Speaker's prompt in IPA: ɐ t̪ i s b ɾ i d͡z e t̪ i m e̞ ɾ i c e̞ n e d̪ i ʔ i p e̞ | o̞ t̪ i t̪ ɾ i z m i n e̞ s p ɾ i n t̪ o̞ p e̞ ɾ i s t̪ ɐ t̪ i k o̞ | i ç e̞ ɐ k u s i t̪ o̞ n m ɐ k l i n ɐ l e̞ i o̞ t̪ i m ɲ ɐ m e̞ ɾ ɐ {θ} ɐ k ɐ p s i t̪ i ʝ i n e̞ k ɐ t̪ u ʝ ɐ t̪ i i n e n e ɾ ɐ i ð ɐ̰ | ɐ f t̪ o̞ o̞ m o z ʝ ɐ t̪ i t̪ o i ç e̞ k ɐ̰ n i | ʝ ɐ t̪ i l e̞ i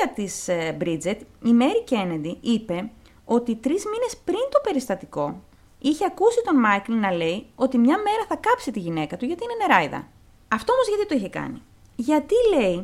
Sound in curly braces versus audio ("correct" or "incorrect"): correct